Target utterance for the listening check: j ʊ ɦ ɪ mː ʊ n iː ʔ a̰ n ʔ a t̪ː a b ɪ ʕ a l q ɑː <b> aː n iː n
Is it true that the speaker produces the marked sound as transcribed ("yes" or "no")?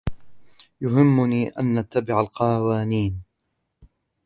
no